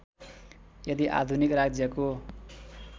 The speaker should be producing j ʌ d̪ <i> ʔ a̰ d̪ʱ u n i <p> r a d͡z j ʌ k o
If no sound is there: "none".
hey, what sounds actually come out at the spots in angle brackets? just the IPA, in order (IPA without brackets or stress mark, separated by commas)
i, k